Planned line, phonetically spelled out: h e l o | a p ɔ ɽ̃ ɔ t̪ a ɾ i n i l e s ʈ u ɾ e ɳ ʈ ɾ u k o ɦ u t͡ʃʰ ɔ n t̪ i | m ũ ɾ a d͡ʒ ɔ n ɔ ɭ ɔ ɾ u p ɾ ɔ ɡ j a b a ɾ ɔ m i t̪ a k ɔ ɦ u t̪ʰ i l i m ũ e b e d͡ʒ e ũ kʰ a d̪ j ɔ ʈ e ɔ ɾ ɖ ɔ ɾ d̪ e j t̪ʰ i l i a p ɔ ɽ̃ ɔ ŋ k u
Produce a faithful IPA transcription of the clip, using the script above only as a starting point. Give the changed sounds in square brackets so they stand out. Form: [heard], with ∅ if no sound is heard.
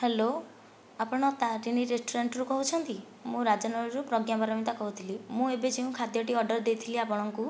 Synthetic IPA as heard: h e l o | a p ɔ ɽ̃ ɔ t̪ a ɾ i n i [ɾ] e s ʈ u ɾ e ɳ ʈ ɾ u k [ɔ] ɦ u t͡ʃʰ ɔ n t̪ i | m ũ ɾ a d͡ʒ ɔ n ɔ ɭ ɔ ɾ u p ɾ ɔ ɡ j a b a ɾ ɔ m i t̪ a k ɔ ɦ u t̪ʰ i l i m ũ e b e d͡ʒ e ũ kʰ a d̪ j ɔ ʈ [i] ɔ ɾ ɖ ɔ ɾ d̪ e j t̪ʰ i l i a p ɔ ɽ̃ ɔ ŋ k u